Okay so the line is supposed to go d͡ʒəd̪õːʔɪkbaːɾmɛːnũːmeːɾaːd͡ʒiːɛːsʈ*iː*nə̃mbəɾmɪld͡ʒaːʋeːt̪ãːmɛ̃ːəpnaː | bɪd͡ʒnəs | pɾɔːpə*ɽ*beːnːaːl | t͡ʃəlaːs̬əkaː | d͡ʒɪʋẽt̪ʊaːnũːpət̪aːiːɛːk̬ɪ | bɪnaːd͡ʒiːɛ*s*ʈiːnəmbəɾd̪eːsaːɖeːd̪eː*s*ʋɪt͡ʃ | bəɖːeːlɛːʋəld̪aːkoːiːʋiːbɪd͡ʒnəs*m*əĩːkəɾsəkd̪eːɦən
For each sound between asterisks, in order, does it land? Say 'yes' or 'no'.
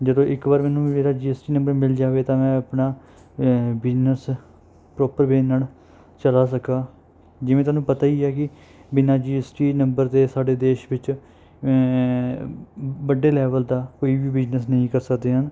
yes, no, yes, no, no

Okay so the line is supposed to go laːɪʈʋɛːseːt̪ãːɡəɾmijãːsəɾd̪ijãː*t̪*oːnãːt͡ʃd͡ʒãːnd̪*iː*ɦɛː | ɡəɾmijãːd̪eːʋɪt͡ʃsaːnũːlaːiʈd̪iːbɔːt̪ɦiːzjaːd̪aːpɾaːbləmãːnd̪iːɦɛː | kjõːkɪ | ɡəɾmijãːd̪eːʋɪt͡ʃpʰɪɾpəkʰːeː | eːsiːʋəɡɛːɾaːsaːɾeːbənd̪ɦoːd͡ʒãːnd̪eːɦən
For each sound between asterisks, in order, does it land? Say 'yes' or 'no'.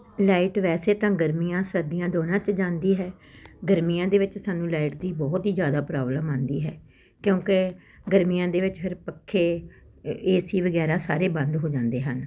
no, yes

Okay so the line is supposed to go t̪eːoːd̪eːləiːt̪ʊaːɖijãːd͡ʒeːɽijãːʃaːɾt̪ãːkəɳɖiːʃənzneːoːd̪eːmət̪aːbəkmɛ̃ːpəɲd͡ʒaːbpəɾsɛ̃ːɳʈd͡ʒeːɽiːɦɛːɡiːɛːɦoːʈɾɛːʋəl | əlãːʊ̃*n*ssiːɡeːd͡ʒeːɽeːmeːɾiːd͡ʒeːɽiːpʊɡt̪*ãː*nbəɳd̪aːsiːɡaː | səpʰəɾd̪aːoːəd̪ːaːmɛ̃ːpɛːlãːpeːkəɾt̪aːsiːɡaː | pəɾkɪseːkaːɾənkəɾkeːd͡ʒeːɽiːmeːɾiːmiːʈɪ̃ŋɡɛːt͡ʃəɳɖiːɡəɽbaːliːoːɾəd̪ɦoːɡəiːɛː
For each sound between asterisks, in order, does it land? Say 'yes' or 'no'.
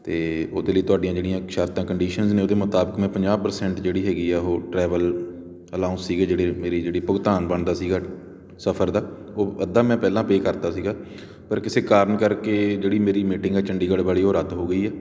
yes, no

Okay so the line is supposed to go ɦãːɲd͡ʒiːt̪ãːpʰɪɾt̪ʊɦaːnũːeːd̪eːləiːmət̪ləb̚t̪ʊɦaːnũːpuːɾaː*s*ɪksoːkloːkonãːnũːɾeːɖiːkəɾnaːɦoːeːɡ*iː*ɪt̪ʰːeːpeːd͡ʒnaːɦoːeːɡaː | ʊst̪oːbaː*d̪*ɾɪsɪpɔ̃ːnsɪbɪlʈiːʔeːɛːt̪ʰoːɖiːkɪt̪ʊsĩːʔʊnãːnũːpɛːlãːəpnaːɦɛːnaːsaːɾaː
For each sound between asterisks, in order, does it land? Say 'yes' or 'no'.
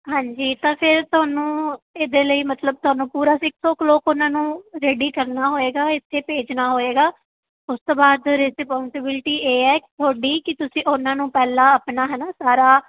yes, no, yes

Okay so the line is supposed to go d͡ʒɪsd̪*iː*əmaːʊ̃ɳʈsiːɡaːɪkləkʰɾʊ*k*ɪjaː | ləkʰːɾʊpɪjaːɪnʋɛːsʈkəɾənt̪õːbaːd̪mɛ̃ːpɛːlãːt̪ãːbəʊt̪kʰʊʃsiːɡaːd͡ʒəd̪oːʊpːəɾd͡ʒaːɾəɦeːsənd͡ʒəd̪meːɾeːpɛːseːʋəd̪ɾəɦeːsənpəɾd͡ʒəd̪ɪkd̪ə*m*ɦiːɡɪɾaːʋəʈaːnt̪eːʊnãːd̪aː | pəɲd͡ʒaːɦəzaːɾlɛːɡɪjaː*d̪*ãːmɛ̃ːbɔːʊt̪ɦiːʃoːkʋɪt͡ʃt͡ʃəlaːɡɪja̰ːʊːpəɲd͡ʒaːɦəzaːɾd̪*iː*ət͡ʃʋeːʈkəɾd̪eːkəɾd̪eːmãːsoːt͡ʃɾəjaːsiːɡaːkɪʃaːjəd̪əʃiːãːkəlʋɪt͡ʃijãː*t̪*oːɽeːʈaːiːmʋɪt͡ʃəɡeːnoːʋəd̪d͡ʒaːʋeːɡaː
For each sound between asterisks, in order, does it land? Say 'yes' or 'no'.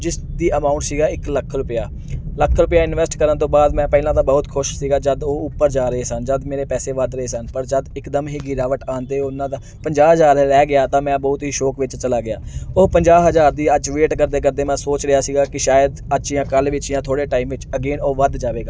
yes, no, yes, no, yes, no

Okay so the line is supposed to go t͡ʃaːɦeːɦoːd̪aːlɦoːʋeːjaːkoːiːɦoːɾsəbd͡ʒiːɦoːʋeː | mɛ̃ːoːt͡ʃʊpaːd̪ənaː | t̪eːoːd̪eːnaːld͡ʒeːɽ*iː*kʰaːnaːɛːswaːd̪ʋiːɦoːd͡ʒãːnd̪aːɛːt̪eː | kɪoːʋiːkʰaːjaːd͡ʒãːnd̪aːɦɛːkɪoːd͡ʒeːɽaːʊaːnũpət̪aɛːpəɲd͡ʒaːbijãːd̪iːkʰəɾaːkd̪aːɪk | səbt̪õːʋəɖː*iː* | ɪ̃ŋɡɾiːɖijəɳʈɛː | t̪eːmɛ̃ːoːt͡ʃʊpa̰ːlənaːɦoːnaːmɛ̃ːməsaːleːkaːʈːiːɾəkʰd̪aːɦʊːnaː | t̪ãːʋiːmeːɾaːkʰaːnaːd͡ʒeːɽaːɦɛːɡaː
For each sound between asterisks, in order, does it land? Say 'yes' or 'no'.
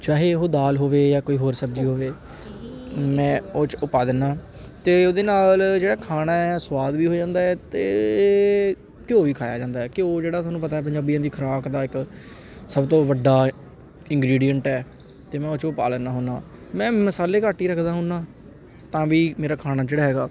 no, no

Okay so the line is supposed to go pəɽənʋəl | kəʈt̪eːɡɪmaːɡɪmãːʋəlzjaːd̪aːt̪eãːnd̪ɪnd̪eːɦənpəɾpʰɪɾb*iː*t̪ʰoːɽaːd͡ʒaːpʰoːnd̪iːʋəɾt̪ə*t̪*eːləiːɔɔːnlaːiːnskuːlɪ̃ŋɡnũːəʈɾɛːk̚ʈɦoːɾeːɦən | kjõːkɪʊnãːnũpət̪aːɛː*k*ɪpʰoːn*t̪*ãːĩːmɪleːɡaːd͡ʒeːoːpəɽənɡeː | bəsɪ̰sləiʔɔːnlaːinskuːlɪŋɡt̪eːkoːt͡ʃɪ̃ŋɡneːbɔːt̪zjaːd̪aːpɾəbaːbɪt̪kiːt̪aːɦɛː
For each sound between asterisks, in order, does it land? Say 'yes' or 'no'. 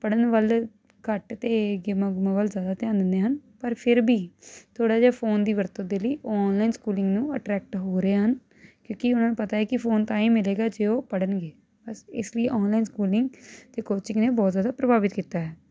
yes, no, yes, yes

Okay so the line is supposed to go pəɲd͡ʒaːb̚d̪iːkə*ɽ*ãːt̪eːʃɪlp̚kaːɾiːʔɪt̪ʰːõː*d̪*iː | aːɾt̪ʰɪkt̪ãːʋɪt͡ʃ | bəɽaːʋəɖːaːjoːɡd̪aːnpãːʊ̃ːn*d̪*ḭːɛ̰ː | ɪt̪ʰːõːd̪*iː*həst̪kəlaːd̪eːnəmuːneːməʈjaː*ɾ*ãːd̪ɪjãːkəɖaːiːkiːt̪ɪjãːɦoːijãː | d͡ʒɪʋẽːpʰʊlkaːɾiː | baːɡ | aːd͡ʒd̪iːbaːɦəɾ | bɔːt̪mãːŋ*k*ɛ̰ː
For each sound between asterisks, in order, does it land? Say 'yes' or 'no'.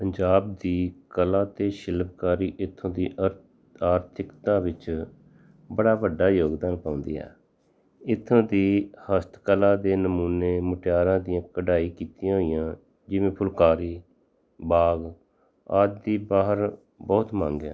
no, yes, yes, yes, yes, no

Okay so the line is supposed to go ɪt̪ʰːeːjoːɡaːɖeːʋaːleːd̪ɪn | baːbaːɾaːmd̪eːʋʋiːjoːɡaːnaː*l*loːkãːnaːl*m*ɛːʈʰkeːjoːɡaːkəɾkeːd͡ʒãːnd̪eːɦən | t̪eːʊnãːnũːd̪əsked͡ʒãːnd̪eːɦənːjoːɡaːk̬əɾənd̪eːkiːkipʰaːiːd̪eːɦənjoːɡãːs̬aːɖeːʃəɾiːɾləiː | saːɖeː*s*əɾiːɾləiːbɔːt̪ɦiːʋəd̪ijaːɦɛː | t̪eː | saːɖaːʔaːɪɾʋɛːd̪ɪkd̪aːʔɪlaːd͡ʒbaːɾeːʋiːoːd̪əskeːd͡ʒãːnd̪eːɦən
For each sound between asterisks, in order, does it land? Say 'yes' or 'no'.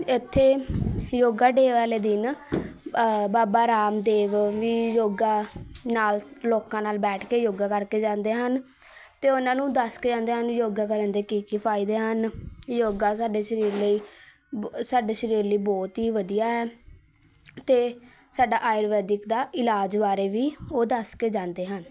yes, no, no

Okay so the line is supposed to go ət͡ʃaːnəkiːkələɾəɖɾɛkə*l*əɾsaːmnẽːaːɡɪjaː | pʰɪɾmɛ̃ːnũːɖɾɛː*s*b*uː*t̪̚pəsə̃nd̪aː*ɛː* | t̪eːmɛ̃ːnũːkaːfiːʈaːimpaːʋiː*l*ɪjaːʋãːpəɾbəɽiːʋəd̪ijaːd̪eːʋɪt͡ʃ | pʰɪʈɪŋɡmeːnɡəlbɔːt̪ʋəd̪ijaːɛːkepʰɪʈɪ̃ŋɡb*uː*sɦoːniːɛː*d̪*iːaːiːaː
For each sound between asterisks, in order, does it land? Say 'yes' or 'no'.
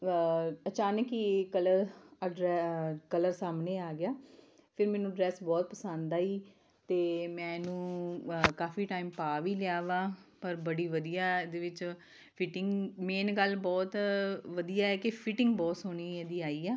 yes, yes, no, no, yes, no, yes

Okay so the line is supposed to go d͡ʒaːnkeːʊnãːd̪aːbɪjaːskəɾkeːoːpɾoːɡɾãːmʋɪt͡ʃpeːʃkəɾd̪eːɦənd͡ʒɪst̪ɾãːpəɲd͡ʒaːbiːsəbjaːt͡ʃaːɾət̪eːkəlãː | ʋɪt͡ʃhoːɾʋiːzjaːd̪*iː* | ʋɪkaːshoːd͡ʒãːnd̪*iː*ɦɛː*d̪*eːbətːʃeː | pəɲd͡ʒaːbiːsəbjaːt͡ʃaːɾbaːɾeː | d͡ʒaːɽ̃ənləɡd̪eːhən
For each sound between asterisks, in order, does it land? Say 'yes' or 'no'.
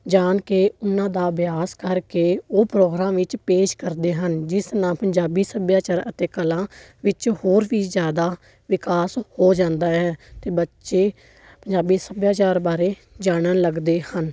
no, no, no

